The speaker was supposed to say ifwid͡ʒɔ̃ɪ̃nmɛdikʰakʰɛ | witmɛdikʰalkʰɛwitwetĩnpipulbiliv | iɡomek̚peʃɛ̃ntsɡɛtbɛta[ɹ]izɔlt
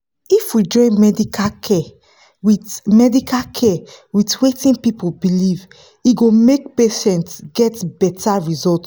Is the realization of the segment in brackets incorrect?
no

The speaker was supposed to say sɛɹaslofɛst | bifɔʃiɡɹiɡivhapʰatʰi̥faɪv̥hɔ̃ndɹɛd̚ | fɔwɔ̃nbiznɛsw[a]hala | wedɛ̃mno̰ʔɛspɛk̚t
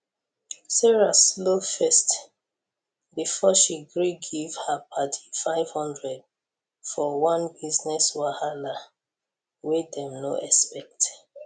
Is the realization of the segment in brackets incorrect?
no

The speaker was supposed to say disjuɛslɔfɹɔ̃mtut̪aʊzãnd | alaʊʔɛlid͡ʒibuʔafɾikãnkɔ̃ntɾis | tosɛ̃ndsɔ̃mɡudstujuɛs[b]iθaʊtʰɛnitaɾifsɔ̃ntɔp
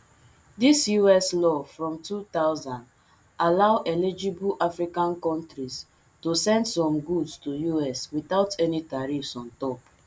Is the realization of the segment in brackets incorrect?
yes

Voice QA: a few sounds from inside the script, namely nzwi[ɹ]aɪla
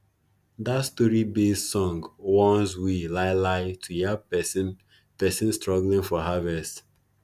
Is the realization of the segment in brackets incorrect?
yes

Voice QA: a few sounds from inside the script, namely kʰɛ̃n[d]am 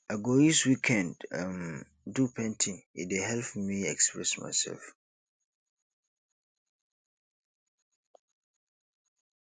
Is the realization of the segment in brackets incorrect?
no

